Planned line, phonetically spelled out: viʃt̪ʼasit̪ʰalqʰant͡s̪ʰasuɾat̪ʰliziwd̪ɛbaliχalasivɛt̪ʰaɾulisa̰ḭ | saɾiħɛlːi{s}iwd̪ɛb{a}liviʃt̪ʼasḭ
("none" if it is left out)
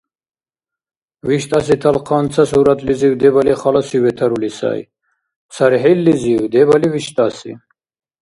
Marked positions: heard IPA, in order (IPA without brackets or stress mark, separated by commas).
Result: z, a